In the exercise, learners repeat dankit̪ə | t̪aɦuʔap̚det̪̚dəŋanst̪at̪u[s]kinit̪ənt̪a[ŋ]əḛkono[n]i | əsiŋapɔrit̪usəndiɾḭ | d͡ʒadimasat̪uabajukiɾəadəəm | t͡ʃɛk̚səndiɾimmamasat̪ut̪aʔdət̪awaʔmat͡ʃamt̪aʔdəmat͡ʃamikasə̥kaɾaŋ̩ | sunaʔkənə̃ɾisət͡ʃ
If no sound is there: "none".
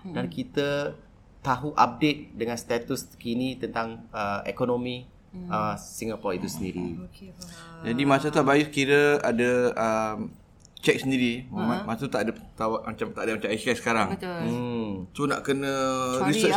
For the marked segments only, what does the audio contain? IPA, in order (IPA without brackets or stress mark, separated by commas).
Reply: s, ŋ, m